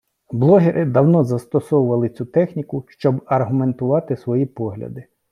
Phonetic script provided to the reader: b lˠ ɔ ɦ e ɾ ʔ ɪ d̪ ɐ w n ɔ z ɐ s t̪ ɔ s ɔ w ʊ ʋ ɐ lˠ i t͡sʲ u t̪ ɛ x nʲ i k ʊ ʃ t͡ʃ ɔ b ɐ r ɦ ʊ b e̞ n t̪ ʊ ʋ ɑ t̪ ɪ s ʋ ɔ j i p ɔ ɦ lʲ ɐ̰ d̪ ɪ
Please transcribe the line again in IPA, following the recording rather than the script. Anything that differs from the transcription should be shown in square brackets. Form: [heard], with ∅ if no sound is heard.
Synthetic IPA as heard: b lˠ ɔ ɦ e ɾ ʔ ɪ d̪ ɐ w n ɔ z ɐ s t̪ ɔ s ɔ w ʊ ʋ ɐ lˠ [ɪ] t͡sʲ u t̪ ɛ x nʲ i k ʊ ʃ t͡ʃ ɔ b ɐ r ɦ ʊ [m] e̞ n t̪ ʊ ʋ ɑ t̪ ɪ s ʋ ɔ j i p ɔ ɦ lʲ ɐ̰ d̪ ɪ